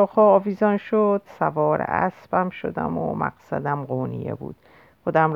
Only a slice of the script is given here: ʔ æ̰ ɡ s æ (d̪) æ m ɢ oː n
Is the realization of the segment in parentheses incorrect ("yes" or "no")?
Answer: no